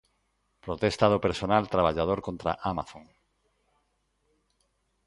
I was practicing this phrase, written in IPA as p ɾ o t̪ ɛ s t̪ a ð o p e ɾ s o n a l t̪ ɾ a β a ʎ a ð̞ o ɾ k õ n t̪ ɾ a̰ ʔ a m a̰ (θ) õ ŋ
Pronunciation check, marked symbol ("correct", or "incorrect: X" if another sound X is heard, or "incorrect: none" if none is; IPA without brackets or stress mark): correct